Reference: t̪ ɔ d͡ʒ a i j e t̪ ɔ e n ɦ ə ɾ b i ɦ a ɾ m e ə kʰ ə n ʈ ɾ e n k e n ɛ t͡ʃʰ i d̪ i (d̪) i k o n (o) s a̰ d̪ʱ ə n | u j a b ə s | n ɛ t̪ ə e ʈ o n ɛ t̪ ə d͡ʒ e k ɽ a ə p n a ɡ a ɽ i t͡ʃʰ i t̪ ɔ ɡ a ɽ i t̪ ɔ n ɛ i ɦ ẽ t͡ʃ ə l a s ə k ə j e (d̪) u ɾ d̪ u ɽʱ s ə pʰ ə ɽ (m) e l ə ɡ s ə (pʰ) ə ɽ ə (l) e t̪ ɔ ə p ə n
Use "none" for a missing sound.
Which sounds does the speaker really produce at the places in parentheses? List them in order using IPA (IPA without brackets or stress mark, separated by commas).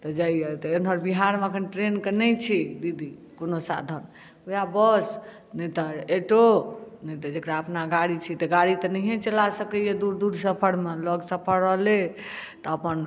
d̪, o, d̪, m, pʰ, l